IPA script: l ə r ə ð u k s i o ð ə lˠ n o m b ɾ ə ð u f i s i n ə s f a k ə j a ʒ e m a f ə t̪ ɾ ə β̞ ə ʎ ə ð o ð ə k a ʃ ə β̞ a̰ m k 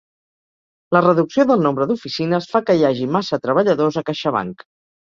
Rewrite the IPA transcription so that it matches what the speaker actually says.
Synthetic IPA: l ə r ə ð u k s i o ð ə lˠ n o m b ɾ ə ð u f i s i n ə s f a k ə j a ʒ i m a s ə t̪ ɾ ə β̞ ə ʎ ə ð o z ə k a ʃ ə β̞ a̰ ŋ k